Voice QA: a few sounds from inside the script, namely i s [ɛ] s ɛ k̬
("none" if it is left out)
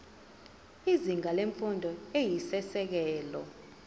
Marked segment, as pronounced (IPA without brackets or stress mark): ɛ